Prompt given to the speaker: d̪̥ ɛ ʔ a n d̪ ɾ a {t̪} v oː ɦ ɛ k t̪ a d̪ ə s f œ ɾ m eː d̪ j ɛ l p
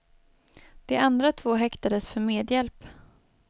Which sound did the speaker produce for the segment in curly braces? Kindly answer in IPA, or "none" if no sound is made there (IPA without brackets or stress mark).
t̪ʰ